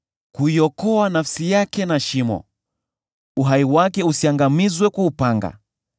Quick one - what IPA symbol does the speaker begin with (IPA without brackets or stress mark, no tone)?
k